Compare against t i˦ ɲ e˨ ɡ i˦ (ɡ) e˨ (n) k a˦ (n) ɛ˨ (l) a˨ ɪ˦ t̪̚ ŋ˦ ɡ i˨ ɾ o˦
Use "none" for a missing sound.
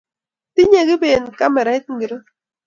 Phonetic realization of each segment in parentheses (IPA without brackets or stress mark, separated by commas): b, n, m, ɾ